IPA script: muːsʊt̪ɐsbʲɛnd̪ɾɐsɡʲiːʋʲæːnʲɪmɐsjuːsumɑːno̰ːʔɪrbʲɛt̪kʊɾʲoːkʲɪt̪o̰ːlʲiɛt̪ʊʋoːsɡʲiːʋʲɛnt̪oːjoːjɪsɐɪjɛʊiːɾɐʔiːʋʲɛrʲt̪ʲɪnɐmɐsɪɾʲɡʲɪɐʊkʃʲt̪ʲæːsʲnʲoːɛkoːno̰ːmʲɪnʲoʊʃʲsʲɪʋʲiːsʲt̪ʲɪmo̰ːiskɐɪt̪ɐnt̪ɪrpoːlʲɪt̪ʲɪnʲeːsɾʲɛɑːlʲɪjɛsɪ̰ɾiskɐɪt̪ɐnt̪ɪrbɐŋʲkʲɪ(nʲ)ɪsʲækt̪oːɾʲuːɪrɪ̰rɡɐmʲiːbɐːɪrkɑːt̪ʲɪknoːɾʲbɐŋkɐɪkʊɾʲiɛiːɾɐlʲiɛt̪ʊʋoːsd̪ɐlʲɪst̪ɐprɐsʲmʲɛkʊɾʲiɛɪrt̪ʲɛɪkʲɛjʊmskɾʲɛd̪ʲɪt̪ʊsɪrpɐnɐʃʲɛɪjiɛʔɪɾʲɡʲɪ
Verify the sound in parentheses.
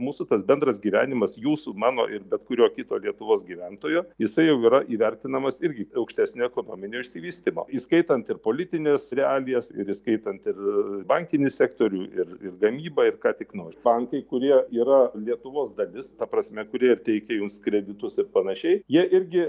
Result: correct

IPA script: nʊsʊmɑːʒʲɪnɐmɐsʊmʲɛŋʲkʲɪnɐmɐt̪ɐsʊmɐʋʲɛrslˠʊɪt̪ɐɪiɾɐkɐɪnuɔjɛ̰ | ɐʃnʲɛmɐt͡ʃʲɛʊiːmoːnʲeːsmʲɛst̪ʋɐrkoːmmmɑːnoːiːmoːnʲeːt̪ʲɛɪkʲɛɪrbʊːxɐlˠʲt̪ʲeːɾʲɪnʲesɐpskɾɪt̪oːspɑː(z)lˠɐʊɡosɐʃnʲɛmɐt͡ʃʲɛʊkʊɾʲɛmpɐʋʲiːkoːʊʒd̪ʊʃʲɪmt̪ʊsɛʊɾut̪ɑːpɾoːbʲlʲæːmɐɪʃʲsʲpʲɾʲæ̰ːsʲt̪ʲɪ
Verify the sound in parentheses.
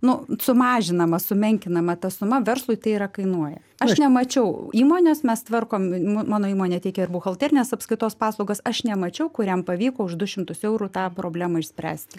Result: incorrect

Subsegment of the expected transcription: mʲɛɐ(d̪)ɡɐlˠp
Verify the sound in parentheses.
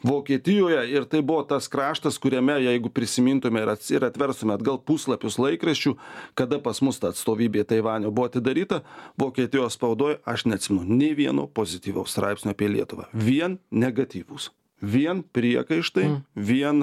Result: correct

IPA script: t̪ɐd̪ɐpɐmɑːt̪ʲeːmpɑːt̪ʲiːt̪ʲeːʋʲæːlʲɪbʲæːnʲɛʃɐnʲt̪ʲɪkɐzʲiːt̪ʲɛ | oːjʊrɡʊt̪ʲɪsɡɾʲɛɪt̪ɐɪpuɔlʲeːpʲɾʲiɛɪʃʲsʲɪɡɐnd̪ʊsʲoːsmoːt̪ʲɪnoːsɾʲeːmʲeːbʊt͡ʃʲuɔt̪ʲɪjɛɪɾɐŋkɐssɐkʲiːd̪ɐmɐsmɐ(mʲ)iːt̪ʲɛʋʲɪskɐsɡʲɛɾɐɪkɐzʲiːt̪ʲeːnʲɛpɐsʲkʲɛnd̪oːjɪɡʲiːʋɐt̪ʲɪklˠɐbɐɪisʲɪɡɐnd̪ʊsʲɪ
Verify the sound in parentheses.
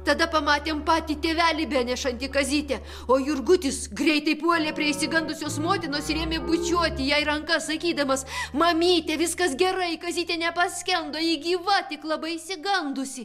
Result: correct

